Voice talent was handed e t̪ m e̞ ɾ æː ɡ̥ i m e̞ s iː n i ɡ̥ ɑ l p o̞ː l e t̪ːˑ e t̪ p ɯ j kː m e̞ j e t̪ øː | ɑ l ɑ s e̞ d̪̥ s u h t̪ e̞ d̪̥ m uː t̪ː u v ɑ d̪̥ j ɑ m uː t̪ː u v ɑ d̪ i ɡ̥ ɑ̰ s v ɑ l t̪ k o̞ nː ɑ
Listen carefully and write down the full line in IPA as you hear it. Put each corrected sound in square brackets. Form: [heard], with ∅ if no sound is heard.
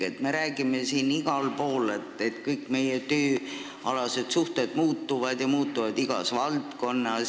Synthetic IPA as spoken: e t̪ m e̞ ɾ æː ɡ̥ i m e̞ s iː n i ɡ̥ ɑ l p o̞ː l e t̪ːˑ e t̪ [k] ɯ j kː m e̞ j e t̪ øː | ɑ l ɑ s e̞ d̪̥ s u h t̪ e̞ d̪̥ m uː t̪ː u v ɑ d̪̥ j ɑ m uː t̪ː u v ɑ d̪ i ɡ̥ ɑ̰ s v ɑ l t̪ k o̞ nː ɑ